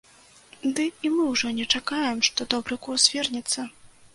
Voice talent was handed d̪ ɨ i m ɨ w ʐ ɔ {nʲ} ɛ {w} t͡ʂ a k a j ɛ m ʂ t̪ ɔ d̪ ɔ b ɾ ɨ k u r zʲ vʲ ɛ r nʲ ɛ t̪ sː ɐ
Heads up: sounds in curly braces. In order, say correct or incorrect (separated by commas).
correct, incorrect